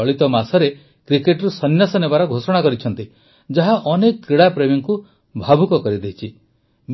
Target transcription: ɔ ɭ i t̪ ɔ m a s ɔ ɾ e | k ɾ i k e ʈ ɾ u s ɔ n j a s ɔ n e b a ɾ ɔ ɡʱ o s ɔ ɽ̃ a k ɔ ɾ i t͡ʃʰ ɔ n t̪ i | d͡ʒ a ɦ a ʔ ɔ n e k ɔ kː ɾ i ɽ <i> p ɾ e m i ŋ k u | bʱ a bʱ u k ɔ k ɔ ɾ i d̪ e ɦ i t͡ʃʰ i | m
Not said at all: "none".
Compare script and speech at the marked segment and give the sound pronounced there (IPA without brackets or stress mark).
a